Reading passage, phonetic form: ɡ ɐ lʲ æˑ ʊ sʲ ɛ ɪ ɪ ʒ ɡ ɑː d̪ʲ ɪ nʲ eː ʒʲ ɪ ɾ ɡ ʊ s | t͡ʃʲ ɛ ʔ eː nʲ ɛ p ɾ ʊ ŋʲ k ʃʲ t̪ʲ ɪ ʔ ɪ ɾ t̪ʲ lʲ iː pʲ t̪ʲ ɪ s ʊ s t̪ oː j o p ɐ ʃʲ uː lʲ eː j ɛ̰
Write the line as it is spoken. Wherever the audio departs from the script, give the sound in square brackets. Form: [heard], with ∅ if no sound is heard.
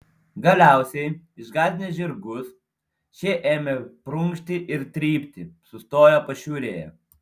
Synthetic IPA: ɡ ɐ lʲ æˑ ʊ sʲ ɛ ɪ ɪ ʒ ɡ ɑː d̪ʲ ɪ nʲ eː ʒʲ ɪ ɾ ɡ ʊ s | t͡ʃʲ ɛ ʔ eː [mʲ] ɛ p ɾ ʊ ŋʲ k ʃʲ t̪ʲ ɪ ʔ ɪ ɾ t̪ʲ [ɾʲ] iː pʲ t̪ʲ ɪ s ʊ s t̪ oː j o p ɐ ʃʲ uː [ɾʲ] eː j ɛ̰